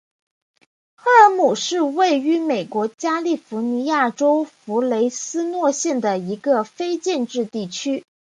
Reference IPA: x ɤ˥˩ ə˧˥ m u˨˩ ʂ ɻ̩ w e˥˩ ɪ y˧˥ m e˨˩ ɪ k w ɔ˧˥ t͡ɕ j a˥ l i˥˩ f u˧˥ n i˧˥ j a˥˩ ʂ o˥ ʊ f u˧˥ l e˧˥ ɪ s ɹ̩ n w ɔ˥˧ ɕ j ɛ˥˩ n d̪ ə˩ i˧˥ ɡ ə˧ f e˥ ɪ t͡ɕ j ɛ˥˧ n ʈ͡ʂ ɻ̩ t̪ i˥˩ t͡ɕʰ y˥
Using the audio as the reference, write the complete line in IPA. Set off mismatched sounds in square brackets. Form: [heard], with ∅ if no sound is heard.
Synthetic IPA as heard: x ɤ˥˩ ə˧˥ m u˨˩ ʂ ɻ̩ w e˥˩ ɪ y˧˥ m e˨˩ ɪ k w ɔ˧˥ t͡ɕ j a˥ l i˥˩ f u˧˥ n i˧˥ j a˥˩ [ʈ͡ʂ] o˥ ʊ f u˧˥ l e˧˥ ɪ s ɹ̩ n w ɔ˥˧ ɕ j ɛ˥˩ n d̪ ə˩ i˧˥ ɡ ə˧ f e˥ ɪ t͡ɕ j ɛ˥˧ n ʈ͡ʂ ɻ̩ t̪ i˥˩ t͡ɕʰ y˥

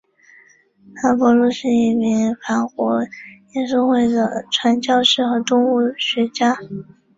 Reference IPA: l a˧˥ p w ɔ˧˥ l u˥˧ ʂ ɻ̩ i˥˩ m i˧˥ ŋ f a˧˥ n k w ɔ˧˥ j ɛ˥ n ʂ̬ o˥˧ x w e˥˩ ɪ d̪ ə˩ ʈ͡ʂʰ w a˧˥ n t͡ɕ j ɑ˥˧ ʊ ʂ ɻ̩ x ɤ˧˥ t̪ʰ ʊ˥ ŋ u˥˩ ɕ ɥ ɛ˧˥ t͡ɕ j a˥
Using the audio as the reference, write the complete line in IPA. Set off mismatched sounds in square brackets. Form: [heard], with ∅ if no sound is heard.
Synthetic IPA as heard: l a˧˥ p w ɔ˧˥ l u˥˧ ʂ ɻ̩ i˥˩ m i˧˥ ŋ f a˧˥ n k w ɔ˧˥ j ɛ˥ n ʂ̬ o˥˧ x w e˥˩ ɪ d̪ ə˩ ʈ͡ʂʰ w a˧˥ n t͡ɕ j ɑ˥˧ ʊ ʂ ɻ̩ x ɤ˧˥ [t̪] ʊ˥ ŋ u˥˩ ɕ ɥ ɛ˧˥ t͡ɕ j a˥

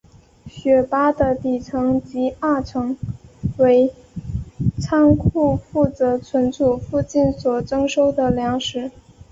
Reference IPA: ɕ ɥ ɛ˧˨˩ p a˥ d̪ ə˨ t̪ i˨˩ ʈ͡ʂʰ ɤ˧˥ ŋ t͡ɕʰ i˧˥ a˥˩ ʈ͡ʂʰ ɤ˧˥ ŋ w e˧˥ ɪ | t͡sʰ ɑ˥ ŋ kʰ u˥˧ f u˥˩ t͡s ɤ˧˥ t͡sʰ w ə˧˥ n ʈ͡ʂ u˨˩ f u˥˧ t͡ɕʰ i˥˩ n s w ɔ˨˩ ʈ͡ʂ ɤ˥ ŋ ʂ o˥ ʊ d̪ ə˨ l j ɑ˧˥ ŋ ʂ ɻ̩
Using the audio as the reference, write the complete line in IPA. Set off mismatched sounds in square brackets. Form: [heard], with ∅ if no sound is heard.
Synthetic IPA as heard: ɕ ɥ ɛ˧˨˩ p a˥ d̪ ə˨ t̪ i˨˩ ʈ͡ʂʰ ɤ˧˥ ŋ [t͡ɕ] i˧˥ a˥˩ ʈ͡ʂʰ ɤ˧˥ ŋ w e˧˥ ɪ | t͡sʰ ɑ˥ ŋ kʰ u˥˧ f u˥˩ t͡s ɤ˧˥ t͡sʰ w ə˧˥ n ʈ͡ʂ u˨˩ f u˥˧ [t͡ɕ] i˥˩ n s w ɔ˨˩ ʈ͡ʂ ɤ˥ ŋ ʂ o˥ ʊ d̪ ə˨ l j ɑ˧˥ ŋ ʂ ɻ̩

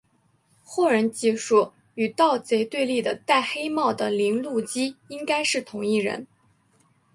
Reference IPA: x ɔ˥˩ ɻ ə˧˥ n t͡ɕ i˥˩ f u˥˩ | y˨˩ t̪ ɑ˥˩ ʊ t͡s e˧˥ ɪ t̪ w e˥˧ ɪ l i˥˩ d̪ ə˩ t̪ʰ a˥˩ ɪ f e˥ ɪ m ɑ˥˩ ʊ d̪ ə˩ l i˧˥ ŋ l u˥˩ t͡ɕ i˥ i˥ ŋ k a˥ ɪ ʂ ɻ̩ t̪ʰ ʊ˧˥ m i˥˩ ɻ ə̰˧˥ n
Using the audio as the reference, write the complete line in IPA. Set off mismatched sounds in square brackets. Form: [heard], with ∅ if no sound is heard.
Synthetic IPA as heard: x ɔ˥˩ ɻ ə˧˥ n t͡ɕ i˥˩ [ʂ] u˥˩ | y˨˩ t̪ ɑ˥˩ ʊ t͡s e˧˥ ɪ t̪ w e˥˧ ɪ l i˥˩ d̪ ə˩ [t̪] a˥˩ ɪ [x] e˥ ɪ m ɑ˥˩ ʊ d̪ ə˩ l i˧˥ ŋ l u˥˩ t͡ɕ i˥ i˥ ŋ k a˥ ɪ ʂ ɻ̩ t̪ʰ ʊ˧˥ [ŋ] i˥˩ ɻ ə̰˧˥ n

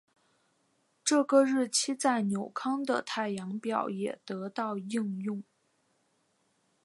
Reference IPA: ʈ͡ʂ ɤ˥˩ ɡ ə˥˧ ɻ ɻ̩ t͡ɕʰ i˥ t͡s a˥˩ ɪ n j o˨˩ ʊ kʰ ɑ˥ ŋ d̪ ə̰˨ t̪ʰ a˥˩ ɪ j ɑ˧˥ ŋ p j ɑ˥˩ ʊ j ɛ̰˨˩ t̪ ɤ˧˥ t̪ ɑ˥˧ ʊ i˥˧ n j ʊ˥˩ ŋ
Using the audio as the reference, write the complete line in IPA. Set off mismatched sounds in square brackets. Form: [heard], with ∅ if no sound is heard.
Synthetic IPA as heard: ʈ͡ʂ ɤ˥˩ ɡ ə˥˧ ɻ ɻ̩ t͡ɕʰ i˥ t͡s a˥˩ ɪ n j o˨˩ ʊ kʰ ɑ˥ ŋ d̪ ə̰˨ t̪ʰ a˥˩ ɪ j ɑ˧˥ ŋ p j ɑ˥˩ ʊ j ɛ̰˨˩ t̪ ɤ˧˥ t̪ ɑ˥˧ ʊ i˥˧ [ŋ] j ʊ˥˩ ŋ

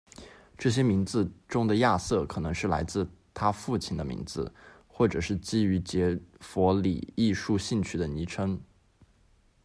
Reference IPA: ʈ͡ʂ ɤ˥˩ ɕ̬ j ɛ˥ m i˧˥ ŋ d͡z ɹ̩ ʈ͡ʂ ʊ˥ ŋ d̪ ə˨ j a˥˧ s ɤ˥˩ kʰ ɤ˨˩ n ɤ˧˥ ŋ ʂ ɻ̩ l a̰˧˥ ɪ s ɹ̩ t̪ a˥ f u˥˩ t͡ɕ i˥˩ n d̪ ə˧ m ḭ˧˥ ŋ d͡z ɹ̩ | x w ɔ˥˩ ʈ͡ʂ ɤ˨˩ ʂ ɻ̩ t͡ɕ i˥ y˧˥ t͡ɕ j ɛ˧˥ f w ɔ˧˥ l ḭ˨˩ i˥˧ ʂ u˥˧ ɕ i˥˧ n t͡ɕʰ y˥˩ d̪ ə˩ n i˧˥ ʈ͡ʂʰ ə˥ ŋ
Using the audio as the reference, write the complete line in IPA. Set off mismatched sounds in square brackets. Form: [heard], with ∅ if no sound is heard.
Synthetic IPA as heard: ʈ͡ʂ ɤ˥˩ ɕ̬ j ɛ˥ m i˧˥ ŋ d͡z ɹ̩ ʈ͡ʂ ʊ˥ ŋ d̪ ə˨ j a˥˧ s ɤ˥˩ kʰ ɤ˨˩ n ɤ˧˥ ŋ ʂ ɻ̩ l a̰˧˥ ɪ [t͡s] ɹ̩ [t̪ʰ] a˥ f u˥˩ [t͡ɕʰ] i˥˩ n d̪ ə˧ m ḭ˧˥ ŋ d͡z ɹ̩ | x w ɔ˥˩ ʈ͡ʂ ɤ˨˩ ʂ ɻ̩ t͡ɕ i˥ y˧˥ t͡ɕ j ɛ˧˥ f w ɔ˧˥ l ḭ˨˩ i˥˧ ʂ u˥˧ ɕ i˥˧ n t͡ɕʰ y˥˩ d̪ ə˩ n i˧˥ ʈ͡ʂʰ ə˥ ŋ

